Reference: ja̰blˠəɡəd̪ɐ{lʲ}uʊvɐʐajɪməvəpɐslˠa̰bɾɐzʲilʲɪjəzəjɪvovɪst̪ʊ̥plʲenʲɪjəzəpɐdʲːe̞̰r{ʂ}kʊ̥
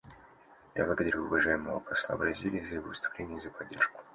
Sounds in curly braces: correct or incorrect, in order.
incorrect, correct

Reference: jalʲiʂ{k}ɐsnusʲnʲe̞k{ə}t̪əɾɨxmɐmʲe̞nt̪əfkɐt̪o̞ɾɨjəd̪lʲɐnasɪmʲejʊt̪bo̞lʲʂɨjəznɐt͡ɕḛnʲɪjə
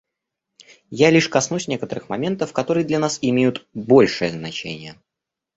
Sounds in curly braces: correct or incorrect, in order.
correct, correct

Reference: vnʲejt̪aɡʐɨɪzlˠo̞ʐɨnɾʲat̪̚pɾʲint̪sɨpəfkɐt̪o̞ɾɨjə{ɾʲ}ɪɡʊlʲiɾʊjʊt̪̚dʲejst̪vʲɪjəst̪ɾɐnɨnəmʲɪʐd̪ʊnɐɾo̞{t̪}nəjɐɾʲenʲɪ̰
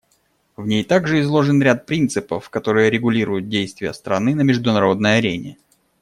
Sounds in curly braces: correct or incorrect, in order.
correct, incorrect

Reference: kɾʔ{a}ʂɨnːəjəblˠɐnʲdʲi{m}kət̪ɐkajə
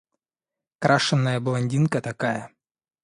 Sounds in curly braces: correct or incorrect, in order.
correct, incorrect

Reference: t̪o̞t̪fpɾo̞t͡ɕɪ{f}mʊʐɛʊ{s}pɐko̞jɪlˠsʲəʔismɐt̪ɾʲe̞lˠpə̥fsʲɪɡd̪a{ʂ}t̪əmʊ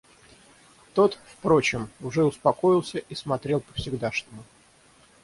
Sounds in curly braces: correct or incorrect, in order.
incorrect, correct, correct

